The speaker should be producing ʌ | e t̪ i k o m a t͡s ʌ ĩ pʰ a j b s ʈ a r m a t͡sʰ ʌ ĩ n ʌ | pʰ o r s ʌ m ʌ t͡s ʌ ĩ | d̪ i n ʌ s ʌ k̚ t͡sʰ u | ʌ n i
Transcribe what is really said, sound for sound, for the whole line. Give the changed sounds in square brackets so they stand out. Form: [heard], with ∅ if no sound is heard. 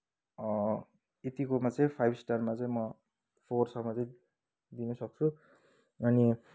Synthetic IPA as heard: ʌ | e t̪ i k o m a t͡s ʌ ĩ pʰ a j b s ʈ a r m a [t͡s] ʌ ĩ [m] ʌ | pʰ o r s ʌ m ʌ t͡s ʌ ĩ | d̪ i n ʌ s ʌ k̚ t͡sʰ u | ʌ n i